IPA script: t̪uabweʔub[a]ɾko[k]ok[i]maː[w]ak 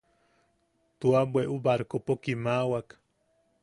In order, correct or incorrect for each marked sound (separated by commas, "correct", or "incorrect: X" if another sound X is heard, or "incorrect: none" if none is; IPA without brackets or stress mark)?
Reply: correct, incorrect: p, correct, correct